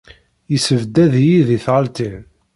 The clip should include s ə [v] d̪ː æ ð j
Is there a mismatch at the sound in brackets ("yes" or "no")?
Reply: no